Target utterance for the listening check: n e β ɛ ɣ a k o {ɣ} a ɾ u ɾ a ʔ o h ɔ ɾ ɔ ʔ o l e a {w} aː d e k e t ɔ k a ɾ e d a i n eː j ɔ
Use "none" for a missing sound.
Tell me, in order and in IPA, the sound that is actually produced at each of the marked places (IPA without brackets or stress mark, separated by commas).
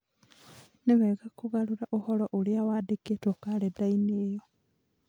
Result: ɣ, w